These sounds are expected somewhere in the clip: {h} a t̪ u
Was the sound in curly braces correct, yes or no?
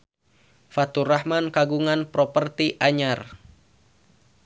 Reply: no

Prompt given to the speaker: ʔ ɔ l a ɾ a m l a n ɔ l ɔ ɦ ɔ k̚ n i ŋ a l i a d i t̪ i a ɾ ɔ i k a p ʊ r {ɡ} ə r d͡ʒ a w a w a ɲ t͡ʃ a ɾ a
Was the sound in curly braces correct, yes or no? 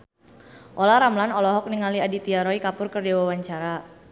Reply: no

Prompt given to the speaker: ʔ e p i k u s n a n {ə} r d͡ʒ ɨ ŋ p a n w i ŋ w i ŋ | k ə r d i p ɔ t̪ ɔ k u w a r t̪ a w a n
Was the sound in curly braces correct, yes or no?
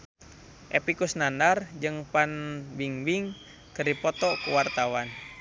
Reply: no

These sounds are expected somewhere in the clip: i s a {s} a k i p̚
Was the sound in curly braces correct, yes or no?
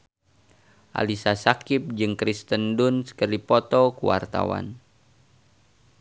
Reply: yes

